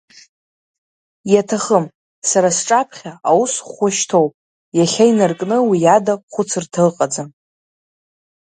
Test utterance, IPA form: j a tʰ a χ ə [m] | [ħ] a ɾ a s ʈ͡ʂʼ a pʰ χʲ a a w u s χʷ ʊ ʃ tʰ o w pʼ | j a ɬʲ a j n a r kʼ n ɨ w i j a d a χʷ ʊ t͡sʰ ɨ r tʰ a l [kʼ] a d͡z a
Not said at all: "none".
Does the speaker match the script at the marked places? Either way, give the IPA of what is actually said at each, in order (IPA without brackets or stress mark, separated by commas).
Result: m, s, qʼ